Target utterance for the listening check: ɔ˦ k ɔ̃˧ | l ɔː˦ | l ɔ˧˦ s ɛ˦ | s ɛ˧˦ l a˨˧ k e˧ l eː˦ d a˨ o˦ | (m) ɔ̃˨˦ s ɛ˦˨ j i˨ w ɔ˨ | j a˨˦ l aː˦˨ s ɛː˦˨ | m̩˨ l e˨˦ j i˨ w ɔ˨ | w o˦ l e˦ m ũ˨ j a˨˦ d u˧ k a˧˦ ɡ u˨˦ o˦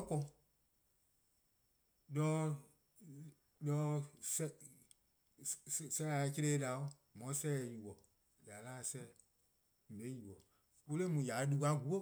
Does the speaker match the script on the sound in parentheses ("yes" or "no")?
yes